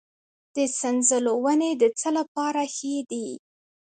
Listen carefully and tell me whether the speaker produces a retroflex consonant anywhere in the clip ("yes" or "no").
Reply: no